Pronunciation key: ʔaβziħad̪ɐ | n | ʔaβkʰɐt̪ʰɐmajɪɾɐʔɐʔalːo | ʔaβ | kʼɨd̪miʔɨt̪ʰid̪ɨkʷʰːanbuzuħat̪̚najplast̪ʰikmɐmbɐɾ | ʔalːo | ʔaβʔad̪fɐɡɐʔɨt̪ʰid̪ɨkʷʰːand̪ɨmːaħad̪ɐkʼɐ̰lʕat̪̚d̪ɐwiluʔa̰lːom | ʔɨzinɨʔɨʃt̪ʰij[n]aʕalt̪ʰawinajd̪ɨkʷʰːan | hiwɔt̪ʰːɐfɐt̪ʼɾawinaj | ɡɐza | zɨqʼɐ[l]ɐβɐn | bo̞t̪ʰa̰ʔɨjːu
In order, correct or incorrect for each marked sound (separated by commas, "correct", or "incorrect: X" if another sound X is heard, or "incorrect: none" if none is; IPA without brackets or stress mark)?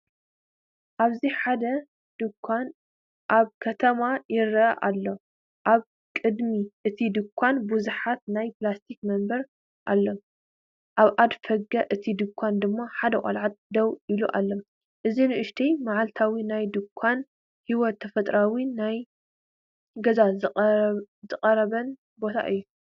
incorrect: m, incorrect: ɾ